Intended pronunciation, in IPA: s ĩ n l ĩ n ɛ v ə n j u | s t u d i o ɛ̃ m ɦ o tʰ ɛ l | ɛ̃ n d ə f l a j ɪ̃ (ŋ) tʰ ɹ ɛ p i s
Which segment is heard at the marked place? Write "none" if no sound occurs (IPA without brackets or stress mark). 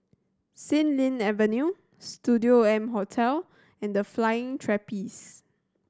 ŋ